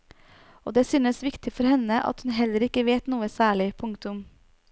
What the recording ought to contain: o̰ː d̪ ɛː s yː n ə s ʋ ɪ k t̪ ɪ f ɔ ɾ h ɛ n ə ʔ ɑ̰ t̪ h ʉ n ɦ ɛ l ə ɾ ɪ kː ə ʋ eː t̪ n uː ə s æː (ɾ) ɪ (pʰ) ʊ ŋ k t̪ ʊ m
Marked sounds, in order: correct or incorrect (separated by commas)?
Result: incorrect, correct